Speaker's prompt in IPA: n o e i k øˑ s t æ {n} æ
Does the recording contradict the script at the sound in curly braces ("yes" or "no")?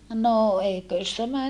yes